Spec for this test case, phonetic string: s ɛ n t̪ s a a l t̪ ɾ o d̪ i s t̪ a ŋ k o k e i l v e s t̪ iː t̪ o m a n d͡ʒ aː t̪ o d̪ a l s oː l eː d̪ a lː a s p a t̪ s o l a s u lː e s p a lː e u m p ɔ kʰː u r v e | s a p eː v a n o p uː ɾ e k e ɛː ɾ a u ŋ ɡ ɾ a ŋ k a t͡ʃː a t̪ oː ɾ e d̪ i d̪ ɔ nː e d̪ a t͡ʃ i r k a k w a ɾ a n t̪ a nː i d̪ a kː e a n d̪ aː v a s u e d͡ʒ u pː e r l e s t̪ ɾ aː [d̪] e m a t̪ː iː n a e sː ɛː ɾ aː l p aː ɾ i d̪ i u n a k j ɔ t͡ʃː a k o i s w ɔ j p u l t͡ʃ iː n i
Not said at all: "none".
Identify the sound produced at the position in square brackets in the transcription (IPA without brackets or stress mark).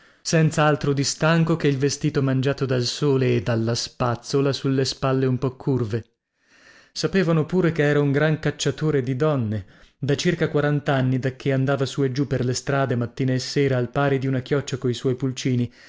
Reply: d̪